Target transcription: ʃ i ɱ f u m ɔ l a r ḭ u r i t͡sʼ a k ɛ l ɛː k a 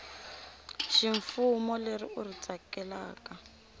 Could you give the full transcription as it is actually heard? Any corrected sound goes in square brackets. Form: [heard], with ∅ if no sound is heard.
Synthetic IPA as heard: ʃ i ɱ f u m ɔ l [e] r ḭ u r i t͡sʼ a k ɛ l [aː] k a